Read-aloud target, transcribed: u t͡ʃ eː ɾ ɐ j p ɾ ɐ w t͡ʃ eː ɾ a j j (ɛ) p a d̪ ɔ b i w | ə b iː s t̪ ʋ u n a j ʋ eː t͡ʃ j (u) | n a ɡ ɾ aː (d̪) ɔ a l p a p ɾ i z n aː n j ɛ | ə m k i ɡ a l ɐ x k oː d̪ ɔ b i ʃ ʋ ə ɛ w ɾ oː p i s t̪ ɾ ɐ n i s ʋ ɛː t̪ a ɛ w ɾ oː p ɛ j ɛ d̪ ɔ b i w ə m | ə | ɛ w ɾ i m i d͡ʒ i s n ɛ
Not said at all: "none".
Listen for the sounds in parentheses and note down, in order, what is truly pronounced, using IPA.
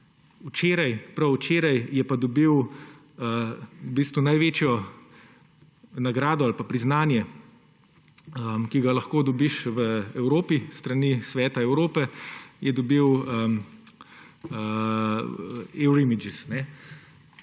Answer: ɛ, ɔ, d̪

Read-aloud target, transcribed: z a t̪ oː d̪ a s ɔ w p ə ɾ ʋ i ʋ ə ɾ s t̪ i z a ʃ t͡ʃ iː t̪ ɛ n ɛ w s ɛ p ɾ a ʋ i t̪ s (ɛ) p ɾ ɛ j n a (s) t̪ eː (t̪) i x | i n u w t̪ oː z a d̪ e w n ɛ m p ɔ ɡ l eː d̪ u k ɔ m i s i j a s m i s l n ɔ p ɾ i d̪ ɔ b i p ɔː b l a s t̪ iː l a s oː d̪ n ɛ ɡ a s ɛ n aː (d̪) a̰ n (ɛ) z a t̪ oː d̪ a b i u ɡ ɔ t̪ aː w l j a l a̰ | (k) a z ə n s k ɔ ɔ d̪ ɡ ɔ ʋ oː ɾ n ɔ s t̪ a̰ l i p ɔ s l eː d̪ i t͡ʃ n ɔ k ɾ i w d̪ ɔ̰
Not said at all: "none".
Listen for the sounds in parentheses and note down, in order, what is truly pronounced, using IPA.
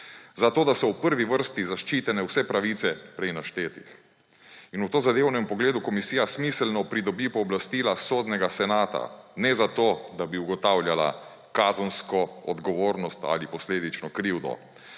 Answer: ɛ, ʃ, t̪, t̪, ɛ, k

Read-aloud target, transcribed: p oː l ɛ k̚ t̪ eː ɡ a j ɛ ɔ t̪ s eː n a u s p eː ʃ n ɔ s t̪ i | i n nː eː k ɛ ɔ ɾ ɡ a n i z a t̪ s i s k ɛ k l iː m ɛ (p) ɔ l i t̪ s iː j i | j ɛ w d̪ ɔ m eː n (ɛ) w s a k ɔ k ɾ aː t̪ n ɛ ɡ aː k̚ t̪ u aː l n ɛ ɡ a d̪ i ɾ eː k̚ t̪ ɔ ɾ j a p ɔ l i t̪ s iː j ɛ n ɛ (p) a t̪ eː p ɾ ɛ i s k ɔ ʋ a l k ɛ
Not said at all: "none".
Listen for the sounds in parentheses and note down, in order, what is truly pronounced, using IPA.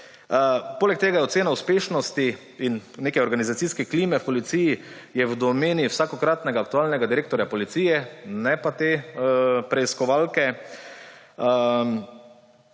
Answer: p, i, p

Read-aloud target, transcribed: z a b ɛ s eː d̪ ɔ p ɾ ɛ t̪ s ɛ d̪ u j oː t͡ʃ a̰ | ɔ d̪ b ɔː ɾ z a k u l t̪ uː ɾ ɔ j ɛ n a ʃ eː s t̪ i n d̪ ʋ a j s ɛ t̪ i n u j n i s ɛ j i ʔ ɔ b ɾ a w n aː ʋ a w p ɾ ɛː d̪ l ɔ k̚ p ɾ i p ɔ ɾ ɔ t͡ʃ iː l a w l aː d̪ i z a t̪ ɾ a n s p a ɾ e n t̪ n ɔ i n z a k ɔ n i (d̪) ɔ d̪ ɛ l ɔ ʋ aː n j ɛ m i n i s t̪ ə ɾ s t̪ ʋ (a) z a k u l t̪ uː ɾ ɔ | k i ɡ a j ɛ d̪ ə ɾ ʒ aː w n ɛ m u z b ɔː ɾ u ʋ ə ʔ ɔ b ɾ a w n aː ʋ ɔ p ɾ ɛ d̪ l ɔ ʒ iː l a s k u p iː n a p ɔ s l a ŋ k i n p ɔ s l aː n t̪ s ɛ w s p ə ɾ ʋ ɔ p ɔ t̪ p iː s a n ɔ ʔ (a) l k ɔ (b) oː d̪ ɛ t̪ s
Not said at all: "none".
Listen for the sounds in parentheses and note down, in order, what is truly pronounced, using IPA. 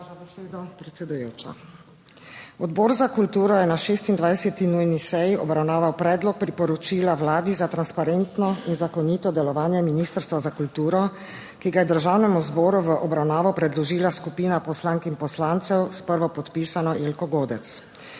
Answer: t̪, a, e, ɡ

